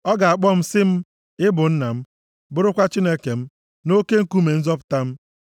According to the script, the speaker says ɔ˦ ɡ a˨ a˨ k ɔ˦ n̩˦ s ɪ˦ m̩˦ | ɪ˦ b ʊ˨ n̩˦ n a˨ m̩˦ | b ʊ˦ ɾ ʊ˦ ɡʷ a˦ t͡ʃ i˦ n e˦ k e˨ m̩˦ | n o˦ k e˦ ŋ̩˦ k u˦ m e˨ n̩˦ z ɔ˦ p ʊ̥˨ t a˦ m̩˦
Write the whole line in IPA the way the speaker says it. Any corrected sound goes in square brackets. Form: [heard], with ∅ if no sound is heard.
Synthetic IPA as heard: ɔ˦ ɡ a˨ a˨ [k͡p] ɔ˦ [m̩˦] s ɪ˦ m̩˦ | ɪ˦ b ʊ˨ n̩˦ n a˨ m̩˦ | b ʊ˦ ɾ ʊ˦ [kʷ] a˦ t͡ʃ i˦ n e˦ k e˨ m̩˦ | n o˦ k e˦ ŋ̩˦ k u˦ m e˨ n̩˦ z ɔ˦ p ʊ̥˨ t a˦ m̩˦